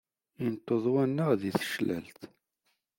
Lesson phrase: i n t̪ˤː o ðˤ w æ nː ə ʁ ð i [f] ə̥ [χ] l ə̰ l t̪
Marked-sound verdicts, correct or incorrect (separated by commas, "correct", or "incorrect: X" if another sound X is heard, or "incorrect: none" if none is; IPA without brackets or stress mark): incorrect: θ, incorrect: ʃ